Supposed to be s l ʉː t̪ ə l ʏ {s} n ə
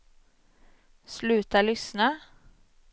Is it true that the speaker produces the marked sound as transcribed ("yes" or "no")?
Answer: yes